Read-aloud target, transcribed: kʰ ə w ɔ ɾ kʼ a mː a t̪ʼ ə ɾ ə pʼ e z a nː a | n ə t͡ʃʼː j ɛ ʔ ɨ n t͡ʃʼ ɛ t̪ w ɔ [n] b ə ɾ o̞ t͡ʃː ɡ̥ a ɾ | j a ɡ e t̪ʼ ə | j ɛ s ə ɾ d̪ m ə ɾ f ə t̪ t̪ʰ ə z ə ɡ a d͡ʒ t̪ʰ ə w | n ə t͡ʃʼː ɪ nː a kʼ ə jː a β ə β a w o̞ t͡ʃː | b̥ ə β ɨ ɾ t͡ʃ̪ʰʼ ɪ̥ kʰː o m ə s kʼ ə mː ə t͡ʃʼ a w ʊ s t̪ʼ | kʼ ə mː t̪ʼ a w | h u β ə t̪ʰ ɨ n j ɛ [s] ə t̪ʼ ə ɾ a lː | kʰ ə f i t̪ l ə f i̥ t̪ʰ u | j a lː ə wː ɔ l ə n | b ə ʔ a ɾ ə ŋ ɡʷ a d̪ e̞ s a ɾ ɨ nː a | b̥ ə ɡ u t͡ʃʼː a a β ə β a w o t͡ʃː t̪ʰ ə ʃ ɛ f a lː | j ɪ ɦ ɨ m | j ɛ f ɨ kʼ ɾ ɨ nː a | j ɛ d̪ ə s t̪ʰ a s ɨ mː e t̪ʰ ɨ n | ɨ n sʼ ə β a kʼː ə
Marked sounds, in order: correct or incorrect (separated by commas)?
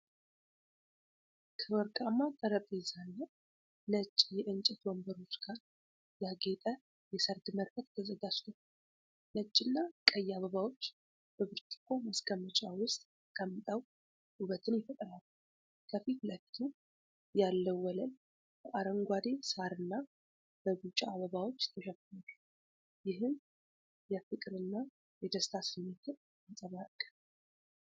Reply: incorrect, incorrect